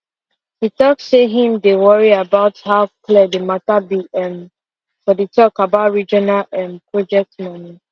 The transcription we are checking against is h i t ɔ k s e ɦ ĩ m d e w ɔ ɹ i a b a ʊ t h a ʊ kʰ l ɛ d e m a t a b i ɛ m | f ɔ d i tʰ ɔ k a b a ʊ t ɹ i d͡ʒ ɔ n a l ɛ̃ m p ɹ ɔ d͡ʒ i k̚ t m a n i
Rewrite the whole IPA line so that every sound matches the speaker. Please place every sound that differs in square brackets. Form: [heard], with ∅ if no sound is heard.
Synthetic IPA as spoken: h i t ɔ k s e ɦ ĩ m d e w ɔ ɹ i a b a ʊ t h a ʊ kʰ l ɛ d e m a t a b i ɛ m | f ɔ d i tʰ ɔ k a b a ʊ t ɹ i d͡ʒ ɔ n a l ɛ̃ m p ɹ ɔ d͡ʒ [ɛ] k̚ t m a n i